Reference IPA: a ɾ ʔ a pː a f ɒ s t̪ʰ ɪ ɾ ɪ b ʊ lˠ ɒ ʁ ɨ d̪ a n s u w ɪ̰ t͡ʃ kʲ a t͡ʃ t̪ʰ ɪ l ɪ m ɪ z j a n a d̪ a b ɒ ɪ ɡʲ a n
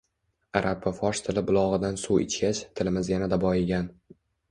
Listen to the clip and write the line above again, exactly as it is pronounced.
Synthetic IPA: a ɾ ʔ a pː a f ɒ ʃ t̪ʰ ɪ l ɪ b ʊ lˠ ɒ ʁ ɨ d̪ a n s u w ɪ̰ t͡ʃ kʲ a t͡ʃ t̪ʰ ɪ l ɪ m ɪ z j a n a d̪ a b ɒ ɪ ɡʲ a n